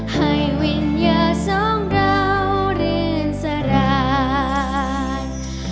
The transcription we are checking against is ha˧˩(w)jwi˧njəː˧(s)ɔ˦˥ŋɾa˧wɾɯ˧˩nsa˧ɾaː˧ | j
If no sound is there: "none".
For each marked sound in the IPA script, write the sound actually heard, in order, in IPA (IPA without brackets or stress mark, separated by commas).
none, s